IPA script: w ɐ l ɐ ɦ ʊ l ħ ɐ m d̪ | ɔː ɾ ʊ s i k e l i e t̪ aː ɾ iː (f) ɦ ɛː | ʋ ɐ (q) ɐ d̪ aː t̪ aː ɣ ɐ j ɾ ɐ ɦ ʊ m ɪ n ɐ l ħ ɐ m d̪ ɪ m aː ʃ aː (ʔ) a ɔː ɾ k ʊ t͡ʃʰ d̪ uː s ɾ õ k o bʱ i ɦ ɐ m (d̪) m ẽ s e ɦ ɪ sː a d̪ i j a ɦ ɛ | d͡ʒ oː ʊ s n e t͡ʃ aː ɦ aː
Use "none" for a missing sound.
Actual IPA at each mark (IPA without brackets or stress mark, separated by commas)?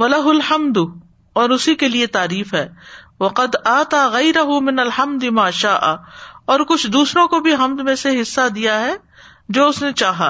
f, q, ʔ, d̪